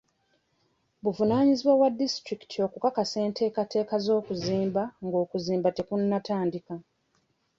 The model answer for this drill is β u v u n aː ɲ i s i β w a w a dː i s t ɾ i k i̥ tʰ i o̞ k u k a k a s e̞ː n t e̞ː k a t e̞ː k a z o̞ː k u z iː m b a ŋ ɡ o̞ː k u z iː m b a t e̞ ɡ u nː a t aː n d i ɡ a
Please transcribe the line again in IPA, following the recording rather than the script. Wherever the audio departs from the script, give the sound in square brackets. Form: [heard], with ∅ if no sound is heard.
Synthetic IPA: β u v u n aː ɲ i [z] i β w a w a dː i s t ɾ i k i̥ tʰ i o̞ k u k a k a s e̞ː n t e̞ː k a t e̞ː k a z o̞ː k u z iː m b a ŋ ɡ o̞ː k u z iː m b a t e̞ [k] u nː a t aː n d i [k] a